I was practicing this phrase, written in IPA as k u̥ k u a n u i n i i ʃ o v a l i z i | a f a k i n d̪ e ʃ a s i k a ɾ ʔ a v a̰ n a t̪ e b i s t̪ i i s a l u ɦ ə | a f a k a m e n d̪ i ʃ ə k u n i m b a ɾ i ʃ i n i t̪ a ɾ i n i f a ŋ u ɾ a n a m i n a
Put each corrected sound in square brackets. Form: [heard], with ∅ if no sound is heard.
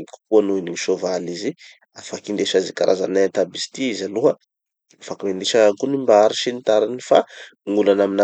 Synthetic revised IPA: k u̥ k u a n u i n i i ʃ o v a l i z i | a f a k i n d̪ e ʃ a [z] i k a ɾ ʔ a [z] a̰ n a t̪ [a] b i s t̪ i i [z] a l u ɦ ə | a f a k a m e n d̪ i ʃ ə k u n i m b a ɾ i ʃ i n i t̪ a ɾ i n i f a ŋ u [l] a n a m i n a